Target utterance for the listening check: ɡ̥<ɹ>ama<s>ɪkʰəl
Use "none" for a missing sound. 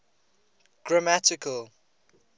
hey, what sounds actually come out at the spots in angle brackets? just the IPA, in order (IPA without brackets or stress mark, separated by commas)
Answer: ɹ, t